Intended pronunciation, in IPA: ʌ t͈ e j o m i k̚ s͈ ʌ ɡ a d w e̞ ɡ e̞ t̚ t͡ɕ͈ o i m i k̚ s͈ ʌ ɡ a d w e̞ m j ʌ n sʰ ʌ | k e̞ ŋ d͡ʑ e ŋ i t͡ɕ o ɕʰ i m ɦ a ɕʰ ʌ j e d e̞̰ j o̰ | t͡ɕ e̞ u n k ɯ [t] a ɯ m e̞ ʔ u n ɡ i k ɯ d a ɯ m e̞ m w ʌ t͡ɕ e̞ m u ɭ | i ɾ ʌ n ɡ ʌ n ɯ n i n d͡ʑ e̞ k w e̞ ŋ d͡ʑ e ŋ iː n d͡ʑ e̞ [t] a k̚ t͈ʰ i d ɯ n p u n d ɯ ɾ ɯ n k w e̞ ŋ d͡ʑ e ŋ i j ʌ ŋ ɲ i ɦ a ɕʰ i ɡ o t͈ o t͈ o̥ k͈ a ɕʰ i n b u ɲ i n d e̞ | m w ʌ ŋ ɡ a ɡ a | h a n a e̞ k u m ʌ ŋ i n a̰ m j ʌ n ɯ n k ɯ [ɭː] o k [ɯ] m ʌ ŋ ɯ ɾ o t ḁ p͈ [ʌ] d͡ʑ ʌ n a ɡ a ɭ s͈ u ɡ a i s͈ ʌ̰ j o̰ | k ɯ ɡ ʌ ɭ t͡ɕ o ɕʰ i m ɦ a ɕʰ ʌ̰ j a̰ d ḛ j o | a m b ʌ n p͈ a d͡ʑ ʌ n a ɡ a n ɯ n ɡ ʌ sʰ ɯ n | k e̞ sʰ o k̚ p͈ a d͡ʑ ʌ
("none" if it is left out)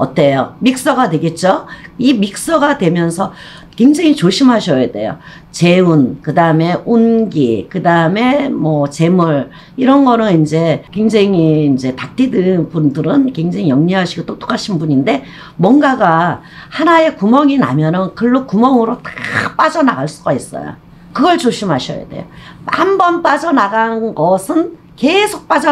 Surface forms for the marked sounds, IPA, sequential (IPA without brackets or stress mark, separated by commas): d, t, ɭː, u, a